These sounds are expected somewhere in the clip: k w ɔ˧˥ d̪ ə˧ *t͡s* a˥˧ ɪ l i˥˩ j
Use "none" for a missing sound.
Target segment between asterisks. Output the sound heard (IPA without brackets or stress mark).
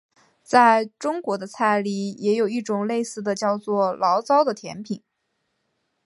t͡sʰ